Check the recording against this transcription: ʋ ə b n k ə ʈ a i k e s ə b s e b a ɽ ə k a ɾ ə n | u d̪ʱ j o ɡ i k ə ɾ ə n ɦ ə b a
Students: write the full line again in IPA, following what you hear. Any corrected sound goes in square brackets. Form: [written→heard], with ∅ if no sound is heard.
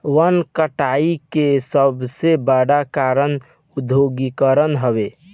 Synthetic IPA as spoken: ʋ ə [b→∅] n k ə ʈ a i k e s ə b s e b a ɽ [ə→a] k a ɾ ə n | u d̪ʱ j o ɡ i k ə ɾ ə n ɦ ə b [a→e]